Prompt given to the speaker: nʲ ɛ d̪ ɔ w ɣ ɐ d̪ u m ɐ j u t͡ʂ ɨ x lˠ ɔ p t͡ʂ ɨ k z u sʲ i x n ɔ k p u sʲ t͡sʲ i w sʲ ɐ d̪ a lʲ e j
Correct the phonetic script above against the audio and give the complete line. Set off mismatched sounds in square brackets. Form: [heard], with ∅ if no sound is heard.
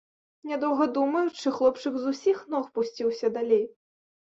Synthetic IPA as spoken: nʲ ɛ d̪ ɔ w ɣ ɐ d̪ u m ɐ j u t͡ʂ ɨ x lˠ ɔ p t͡ʂ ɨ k z u sʲ i x n ɔ [x] p u sʲ t͡sʲ i w sʲ ɐ d̪ a lʲ e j